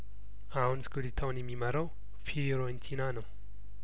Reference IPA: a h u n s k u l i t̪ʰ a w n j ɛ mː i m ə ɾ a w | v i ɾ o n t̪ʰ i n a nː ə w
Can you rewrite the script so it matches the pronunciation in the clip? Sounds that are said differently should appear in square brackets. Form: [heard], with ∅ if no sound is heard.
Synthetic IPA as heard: a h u n s k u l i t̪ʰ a w n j ɛ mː i m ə ɾ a w | [f] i ɾ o n t̪ʰ i n a [n] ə w